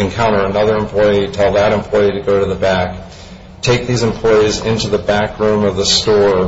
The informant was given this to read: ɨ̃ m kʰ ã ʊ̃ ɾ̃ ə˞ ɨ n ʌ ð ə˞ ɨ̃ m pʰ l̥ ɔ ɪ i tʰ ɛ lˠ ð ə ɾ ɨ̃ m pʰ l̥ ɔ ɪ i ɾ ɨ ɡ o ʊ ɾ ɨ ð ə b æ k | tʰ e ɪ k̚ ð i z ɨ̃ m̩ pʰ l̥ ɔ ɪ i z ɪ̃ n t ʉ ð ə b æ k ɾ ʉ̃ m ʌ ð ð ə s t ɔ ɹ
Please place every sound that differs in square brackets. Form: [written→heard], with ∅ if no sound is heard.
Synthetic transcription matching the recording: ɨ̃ [m→n] kʰ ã ʊ̃ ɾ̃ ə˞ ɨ n ʌ ð ə˞ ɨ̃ m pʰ l̥ ɔ ɪ i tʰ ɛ lˠ ð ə ɾ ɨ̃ m pʰ l̥ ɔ ɪ i ɾ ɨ ɡ o ʊ ɾ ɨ ð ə b æ k | tʰ e ɪ k̚ ð i z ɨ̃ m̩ pʰ l̥ ɔ ɪ i z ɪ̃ n t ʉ ð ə b æ k [ɾ→ɹ] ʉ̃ m ʌ [ð→v] ð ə s t ɔ ɹ

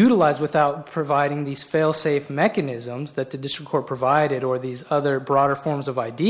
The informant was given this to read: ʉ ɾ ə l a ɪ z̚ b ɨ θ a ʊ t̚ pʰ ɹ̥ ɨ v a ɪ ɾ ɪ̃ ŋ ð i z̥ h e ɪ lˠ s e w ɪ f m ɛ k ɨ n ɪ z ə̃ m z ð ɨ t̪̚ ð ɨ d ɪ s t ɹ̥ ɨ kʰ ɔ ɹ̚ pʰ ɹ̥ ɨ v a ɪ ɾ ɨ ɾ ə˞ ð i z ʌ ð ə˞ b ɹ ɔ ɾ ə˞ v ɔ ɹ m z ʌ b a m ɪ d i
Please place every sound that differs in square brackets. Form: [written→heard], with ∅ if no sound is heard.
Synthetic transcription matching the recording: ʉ ɾ ə l a ɪ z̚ [b→w] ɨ θ a ʊ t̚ pʰ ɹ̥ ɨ v a ɪ ɾ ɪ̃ ŋ ð i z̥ [h→f] e ɪ lˠ s e [w→∅] ɪ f m ɛ k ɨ n ɪ z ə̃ m z ð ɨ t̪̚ ð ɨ d ɪ s t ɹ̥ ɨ kʰ ɔ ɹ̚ pʰ ɹ̥ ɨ v a ɪ ɾ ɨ ɾ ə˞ ð i z ʌ ð ə˞ b ɹ ɔ ɾ ə˞ [v→f] ɔ ɹ m z ʌ [b→v] a [m→∅] ɪ d i

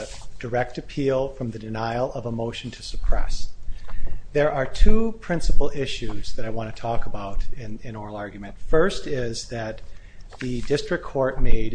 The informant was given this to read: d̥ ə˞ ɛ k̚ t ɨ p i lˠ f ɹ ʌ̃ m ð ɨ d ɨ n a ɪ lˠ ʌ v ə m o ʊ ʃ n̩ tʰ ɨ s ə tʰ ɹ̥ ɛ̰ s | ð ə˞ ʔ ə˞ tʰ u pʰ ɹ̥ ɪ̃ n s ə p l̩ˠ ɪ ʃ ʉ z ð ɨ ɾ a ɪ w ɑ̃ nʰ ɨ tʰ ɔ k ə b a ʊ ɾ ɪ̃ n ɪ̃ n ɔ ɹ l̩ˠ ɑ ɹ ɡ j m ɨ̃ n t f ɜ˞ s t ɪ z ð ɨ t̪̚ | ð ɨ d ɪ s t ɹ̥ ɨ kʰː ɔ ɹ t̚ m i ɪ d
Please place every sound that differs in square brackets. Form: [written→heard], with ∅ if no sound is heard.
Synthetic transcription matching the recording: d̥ ə˞ ɛ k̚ t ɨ [p→pʰ] i lˠ f ɹ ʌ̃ m ð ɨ d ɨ n a ɪ lˠ ʌ v ə m o ʊ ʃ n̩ tʰ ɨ s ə [tʰ→pʰ] ɹ̥ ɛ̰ s | ð ə˞ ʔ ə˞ tʰ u pʰ ɹ̥ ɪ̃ n s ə p l̩ˠ ɪ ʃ ʉ z ð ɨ ɾ a ɪ w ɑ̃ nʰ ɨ tʰ ɔ k ə b a ʊ ɾ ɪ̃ n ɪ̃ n ɔ ɹ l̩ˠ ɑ ɹ ɡ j m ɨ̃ n t f ɜ˞ s t ɪ z ð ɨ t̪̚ | ð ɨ d ɪ s t ɹ̥ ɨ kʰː ɔ ɹ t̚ m [i→e] ɪ d

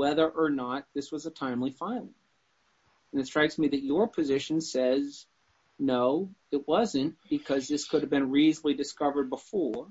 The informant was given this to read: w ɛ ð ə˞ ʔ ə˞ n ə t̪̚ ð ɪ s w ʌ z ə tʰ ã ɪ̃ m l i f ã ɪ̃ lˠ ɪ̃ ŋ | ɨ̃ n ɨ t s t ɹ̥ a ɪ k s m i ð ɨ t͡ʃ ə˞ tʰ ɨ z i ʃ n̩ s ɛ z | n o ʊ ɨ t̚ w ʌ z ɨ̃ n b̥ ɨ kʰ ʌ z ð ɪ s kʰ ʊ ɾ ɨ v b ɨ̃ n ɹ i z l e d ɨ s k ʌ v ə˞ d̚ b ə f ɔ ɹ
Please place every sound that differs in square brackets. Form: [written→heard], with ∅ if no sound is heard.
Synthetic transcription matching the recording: w ɛ ð ə˞ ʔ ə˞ n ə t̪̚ ð ɪ s w ʌ z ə tʰ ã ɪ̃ m l i f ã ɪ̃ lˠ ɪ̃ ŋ | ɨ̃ n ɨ t s t ɹ̥ a ɪ k s m i ð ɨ t͡ʃ ə˞ [tʰ→pʰ] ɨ z [i→ɪ] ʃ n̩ s ɛ z | n o ʊ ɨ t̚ w ʌ z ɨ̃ n b̥ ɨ kʰ ʌ z ð ɪ s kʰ ʊ ɾ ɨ v b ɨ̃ n ɹ i z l [e→i] d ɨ s k ʌ v ə˞ d̚ b ə f ɔ ɹ

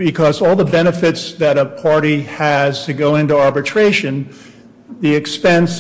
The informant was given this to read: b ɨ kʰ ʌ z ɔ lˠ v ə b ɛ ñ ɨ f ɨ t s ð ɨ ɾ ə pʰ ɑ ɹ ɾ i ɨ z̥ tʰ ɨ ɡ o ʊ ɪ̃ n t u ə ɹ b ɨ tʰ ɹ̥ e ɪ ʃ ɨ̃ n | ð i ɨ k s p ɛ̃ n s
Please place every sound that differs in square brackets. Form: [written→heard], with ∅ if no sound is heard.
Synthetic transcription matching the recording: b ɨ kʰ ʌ z ɔ lˠ [v→ð] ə b ɛ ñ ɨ f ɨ t s ð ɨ ɾ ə pʰ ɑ ɹ ɾ i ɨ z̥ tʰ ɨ ɡ o ʊ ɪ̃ n t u [ə→ɑ] ɹ b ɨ tʰ ɹ̥ e ɪ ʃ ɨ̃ n | ð i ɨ k s p ɛ̃ n s

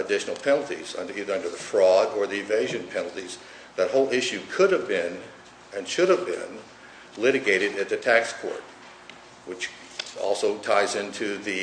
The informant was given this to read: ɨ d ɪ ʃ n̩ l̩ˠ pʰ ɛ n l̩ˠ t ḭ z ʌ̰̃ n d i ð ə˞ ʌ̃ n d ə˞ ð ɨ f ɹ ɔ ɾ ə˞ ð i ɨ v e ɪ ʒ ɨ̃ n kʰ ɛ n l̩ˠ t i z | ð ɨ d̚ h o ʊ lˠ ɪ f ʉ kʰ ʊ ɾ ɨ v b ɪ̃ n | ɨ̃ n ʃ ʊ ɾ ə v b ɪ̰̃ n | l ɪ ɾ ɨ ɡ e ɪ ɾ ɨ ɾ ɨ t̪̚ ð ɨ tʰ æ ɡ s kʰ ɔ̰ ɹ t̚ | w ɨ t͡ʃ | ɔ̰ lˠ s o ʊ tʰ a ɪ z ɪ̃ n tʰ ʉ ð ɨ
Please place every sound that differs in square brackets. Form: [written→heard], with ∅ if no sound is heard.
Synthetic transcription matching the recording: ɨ d ɪ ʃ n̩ l̩ˠ pʰ ɛ n l̩ˠ t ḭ z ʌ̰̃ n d i ð ə˞ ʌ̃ n d ə˞ ð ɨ f ɹ ɔ ɾ ə˞ ð i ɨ v e ɪ ʒ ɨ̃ n [kʰ→pʰ] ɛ n l̩ˠ t i z | ð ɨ [d̚→t̚] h o ʊ lˠ ɪ [f→ʃ] ʉ kʰ ʊ ɾ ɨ v b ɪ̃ n | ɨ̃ n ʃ ʊ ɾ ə v b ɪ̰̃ n | l ɪ ɾ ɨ ɡ e ɪ ɾ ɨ ɾ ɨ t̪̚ ð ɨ tʰ æ [ɡ→k] s kʰ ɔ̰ ɹ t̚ | w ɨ t͡ʃ | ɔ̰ lˠ s o ʊ tʰ a ɪ z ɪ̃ n tʰ ʉ ð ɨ

